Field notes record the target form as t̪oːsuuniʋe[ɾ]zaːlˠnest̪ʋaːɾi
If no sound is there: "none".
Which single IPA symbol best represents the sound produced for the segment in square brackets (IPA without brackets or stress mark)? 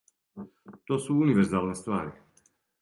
ɾ